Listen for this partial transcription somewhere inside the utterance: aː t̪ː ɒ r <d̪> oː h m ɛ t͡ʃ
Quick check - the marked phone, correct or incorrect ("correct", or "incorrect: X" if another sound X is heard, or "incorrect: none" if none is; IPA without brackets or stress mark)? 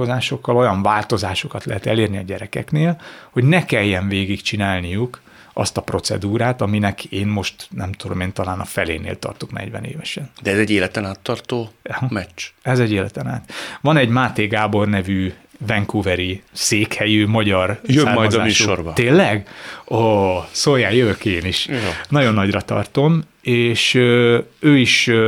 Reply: incorrect: t̪